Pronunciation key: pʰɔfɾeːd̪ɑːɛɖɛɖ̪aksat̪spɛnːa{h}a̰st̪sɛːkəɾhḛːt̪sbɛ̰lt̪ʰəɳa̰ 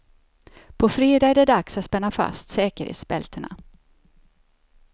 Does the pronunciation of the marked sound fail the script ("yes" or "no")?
yes